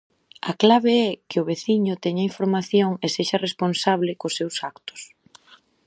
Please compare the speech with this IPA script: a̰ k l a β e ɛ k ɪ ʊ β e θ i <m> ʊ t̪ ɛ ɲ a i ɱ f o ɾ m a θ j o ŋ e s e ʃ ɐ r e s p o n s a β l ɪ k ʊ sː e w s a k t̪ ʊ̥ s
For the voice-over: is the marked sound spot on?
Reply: no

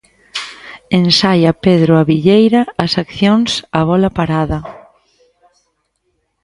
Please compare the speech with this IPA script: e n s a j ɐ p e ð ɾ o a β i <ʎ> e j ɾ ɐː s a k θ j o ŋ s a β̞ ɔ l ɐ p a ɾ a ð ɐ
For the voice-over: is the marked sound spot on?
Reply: yes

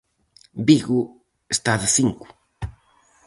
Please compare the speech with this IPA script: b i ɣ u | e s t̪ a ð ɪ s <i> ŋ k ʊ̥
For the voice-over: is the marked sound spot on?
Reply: yes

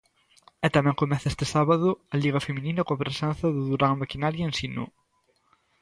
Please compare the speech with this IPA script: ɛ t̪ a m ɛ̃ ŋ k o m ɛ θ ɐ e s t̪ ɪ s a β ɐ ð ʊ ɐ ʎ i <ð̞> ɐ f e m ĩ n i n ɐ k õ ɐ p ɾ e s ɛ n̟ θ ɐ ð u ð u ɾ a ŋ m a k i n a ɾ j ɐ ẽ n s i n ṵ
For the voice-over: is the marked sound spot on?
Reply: no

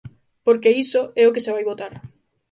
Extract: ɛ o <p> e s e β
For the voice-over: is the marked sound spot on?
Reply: no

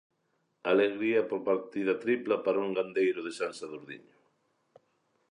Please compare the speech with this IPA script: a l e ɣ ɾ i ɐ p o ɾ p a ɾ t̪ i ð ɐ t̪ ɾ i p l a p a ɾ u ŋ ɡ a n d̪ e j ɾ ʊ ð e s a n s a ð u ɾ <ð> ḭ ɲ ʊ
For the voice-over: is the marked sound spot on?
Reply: yes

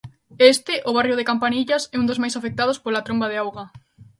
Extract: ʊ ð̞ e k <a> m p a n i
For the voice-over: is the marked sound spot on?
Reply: yes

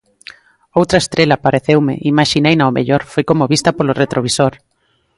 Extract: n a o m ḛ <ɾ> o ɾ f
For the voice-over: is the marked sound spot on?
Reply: no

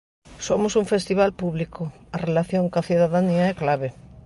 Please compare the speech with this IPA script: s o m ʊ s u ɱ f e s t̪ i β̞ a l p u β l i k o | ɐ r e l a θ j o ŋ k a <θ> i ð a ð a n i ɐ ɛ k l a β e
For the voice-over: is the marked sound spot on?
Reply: yes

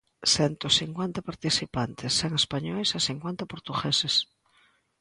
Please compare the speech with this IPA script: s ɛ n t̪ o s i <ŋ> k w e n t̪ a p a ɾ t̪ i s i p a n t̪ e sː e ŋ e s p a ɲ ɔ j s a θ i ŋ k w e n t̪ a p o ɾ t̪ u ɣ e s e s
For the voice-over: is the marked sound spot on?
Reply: yes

